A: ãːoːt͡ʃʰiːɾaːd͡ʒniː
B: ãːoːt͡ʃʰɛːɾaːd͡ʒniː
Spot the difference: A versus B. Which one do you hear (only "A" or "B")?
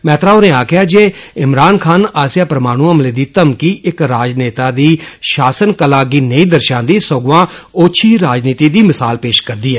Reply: A